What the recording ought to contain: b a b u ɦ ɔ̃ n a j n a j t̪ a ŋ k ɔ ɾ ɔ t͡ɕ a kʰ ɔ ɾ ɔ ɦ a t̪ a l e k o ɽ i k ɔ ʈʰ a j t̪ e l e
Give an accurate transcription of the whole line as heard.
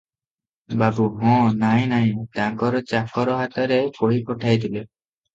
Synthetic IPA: b a b u ɦ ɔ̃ n a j n a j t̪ a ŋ k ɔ ɾ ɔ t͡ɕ a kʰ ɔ ɾ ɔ ɦ a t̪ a ɾ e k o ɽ i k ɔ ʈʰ a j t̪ i l e